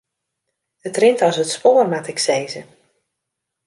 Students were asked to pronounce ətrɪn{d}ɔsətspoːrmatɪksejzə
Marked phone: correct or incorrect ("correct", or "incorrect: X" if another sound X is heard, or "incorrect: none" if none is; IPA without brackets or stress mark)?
incorrect: t